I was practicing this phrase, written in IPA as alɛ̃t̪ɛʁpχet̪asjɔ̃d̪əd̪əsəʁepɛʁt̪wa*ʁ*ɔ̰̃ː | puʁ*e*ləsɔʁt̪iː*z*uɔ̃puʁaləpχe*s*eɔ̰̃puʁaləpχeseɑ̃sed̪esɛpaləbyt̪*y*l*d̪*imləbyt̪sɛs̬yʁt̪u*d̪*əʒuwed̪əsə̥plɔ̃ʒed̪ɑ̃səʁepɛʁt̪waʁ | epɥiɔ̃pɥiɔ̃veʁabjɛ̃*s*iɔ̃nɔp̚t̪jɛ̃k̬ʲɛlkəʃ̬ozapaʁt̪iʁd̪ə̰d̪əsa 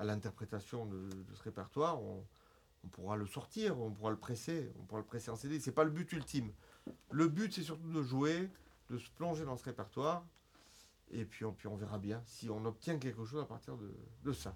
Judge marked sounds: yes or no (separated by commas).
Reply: yes, no, no, yes, yes, no, yes, yes